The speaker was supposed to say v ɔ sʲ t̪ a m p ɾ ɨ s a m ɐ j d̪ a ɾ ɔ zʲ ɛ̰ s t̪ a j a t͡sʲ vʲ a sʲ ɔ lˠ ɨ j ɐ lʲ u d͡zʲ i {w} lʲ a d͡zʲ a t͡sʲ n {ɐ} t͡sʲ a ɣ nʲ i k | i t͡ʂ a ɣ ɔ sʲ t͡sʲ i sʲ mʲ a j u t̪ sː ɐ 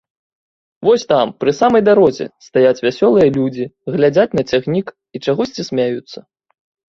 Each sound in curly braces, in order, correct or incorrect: incorrect, correct

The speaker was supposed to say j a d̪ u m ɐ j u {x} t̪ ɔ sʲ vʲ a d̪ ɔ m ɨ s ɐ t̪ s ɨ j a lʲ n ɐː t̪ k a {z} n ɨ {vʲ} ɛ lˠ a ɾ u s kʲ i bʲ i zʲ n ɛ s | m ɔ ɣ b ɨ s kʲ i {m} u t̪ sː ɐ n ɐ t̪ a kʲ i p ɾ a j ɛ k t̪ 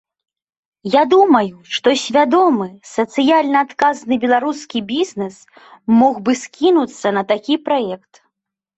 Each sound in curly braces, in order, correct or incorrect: incorrect, correct, incorrect, incorrect

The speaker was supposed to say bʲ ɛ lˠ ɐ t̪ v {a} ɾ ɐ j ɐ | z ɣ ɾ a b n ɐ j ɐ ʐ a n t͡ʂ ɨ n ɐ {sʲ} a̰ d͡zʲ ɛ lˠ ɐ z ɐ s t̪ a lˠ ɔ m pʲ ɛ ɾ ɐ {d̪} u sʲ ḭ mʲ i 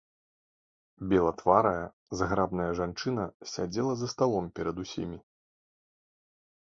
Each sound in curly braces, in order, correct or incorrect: correct, correct, correct

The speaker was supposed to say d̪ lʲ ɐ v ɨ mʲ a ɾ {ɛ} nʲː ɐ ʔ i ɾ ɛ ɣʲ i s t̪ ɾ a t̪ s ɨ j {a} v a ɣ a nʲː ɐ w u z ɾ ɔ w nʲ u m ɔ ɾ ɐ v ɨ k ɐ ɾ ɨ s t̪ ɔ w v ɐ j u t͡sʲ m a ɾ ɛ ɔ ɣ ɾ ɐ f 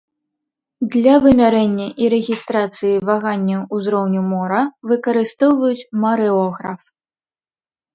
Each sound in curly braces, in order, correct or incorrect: correct, incorrect

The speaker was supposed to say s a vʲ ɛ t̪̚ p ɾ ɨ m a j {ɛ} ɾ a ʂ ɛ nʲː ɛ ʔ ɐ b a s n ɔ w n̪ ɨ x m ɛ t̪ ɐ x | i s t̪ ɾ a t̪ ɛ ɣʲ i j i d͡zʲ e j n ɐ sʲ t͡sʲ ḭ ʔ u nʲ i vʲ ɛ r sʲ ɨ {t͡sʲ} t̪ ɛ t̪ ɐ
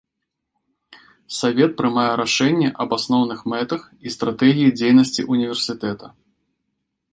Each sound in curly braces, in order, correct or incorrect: correct, incorrect

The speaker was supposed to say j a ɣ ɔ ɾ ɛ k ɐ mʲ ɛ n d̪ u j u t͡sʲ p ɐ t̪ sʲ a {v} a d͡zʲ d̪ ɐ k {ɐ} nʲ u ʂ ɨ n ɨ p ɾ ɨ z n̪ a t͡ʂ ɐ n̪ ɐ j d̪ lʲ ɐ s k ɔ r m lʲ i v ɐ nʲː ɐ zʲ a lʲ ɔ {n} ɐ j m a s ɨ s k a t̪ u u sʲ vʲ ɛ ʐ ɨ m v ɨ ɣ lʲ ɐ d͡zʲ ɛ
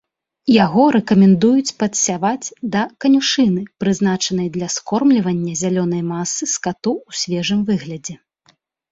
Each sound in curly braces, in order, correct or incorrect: correct, correct, correct

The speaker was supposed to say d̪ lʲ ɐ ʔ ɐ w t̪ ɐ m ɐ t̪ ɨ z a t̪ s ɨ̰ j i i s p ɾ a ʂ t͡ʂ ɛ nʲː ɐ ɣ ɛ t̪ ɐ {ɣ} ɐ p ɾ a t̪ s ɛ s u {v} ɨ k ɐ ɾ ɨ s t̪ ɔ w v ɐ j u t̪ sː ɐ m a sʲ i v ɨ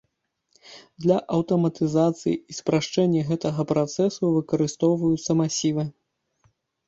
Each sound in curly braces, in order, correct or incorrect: correct, correct

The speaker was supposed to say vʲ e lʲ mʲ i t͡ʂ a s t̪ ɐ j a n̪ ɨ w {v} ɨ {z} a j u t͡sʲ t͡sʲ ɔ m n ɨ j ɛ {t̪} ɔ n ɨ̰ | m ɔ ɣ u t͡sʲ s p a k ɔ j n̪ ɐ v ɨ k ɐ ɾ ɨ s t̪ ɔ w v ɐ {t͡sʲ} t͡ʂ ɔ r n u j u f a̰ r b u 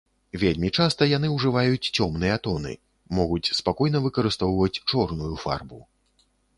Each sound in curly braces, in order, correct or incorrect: incorrect, incorrect, correct, correct

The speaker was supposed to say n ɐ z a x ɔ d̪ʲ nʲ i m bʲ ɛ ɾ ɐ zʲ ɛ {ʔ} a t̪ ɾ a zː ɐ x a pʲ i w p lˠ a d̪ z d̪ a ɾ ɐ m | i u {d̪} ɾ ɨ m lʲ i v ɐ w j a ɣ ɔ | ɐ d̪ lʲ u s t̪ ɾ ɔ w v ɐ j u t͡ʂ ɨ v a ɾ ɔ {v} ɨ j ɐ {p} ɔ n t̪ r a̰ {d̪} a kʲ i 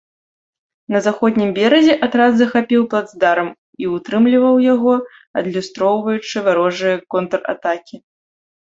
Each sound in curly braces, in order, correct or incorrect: correct, incorrect, incorrect, incorrect, incorrect

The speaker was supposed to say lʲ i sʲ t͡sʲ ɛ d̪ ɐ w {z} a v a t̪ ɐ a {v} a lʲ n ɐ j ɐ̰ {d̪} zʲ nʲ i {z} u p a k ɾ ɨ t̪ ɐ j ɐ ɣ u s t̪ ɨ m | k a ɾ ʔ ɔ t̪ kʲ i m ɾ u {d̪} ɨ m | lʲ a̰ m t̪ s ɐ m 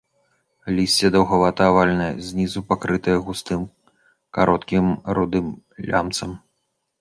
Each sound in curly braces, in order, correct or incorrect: incorrect, correct, incorrect, correct, correct

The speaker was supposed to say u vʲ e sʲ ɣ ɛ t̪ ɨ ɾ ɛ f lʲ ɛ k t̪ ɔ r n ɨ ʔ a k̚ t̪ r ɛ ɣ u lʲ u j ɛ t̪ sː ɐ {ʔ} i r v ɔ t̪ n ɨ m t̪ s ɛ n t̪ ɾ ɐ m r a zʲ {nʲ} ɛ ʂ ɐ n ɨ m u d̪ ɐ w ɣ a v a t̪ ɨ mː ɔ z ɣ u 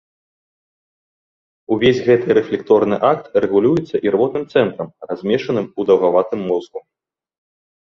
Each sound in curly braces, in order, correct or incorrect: correct, incorrect

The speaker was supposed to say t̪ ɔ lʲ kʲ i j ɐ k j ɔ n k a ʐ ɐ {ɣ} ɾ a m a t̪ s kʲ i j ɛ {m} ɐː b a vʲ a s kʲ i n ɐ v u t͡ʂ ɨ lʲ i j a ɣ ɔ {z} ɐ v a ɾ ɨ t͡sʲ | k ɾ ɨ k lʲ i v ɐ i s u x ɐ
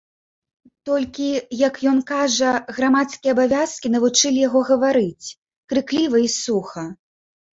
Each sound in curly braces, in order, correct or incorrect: correct, incorrect, incorrect

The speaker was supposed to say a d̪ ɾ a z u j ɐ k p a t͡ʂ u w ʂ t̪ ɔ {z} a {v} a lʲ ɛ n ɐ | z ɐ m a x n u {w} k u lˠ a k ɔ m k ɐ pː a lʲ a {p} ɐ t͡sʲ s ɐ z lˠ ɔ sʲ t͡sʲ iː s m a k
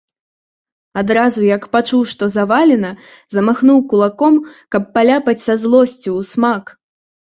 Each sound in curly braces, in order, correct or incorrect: correct, correct, correct, correct

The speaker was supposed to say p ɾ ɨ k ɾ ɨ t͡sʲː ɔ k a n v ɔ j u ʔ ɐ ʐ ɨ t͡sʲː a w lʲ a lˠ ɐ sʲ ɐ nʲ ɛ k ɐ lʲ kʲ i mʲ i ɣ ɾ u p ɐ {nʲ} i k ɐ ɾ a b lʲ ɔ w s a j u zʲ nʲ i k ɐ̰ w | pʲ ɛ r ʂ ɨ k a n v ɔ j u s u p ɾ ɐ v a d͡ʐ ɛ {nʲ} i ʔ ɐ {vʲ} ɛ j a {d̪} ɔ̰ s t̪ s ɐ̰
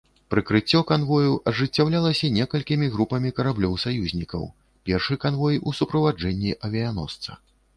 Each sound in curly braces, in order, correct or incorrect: incorrect, incorrect, correct, incorrect

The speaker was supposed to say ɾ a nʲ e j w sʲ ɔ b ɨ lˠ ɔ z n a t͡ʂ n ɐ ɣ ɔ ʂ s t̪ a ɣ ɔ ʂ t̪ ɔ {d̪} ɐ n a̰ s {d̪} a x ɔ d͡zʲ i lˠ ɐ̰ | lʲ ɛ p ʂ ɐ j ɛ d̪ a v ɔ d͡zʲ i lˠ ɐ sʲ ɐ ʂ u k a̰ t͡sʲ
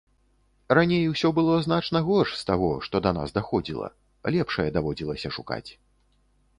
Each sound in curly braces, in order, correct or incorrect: correct, correct

